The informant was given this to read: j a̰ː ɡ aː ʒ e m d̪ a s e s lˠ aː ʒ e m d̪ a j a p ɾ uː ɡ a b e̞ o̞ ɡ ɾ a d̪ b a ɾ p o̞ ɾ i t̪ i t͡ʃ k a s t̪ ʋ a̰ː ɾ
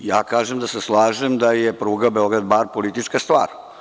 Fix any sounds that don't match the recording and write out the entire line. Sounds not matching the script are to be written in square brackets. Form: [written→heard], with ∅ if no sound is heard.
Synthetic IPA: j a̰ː [ɡ→k] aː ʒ e m d̪ a s e s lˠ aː ʒ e m d̪ a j [a→e] p ɾ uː ɡ a b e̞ o̞ ɡ ɾ a d̪ b a ɾ p o̞ [ɾ→l] i t̪ i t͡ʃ k a s t̪ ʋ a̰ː ɾ